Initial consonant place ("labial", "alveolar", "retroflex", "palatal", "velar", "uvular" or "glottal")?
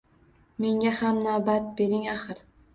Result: labial